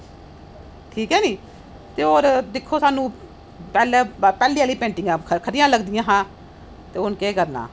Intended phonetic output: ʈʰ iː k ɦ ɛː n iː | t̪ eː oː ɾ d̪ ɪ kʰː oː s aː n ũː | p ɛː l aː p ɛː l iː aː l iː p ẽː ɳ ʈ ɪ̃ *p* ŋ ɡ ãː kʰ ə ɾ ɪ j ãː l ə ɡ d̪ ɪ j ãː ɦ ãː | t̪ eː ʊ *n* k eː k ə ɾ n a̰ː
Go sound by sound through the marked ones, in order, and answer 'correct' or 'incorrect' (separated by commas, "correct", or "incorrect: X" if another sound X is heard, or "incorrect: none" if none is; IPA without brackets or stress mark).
incorrect: none, correct